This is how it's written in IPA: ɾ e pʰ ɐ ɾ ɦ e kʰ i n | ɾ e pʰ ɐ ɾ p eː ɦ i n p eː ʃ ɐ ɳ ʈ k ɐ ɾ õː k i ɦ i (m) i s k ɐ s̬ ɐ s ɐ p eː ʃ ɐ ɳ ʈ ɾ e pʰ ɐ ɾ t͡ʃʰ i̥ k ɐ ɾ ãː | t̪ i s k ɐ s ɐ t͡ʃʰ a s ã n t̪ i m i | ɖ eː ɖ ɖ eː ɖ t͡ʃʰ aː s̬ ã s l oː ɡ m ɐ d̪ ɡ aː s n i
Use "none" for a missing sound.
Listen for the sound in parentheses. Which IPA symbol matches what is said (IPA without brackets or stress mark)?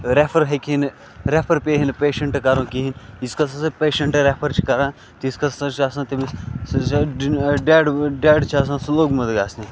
n